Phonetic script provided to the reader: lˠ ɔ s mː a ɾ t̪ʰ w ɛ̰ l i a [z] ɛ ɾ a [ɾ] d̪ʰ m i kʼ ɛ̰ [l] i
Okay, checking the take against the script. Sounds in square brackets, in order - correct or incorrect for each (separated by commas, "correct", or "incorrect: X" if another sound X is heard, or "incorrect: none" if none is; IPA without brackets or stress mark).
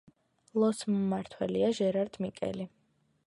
incorrect: ʒ, correct, correct